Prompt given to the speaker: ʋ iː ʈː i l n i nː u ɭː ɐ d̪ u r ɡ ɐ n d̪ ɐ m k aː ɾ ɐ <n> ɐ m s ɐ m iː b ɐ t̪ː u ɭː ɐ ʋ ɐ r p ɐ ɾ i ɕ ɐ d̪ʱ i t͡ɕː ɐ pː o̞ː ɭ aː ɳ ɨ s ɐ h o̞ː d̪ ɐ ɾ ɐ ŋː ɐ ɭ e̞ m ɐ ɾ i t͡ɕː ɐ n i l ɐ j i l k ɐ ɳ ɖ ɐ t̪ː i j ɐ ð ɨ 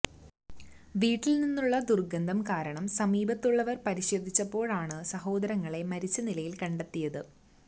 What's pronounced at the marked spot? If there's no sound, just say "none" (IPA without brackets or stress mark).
ɳ